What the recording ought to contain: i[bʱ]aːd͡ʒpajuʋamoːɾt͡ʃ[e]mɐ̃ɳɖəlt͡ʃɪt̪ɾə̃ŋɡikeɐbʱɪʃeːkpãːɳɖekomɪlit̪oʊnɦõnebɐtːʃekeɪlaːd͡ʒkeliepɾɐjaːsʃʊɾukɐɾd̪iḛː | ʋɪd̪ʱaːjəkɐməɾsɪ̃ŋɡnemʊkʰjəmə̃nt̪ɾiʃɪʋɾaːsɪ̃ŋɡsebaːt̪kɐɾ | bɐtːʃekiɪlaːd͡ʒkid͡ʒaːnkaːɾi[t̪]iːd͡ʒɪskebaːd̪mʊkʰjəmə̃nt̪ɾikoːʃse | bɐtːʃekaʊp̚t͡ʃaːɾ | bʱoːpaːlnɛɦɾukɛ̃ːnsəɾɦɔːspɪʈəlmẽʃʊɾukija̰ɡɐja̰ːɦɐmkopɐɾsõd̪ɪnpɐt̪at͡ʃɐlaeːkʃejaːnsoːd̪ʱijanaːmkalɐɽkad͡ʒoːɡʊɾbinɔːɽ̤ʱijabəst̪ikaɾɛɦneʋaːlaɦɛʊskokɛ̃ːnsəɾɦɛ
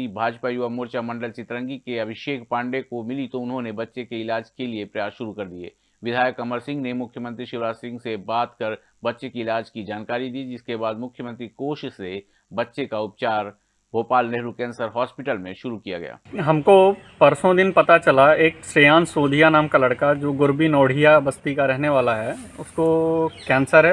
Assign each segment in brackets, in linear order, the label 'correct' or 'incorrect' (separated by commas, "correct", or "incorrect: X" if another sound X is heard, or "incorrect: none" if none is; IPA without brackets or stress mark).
correct, incorrect: a, incorrect: d̪